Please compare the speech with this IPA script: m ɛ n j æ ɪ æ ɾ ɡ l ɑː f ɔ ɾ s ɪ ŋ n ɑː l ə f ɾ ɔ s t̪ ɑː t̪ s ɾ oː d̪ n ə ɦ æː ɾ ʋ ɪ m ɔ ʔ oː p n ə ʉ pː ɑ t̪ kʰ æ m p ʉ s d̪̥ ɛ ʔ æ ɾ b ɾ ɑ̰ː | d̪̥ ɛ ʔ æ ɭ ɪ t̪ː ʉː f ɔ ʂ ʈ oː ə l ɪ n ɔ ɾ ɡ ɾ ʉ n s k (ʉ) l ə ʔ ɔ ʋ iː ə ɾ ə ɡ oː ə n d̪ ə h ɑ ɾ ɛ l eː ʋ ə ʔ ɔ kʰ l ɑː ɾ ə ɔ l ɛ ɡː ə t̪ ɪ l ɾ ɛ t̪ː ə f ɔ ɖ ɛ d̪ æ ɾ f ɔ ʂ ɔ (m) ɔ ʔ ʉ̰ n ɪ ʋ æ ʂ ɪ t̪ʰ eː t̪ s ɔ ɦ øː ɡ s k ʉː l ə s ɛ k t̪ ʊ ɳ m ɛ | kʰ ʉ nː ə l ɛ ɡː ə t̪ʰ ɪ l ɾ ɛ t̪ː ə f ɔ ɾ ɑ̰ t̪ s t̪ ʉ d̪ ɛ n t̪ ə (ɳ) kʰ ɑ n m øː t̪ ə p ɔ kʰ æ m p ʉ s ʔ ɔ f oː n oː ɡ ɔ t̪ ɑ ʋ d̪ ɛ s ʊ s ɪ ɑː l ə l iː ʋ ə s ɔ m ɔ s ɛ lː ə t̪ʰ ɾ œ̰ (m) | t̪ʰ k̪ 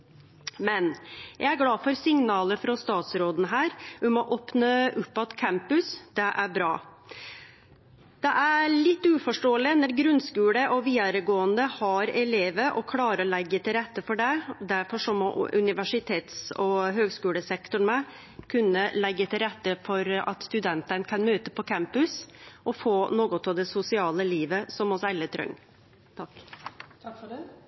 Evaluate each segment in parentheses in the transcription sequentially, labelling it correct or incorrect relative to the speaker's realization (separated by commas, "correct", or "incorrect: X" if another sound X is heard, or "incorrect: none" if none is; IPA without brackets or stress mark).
incorrect: ʉː, correct, incorrect: n, incorrect: ŋ